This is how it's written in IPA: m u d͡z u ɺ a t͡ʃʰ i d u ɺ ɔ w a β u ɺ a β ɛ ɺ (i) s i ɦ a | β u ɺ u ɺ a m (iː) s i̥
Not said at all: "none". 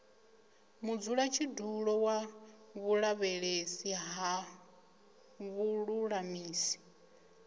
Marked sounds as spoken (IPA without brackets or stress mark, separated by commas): e, iː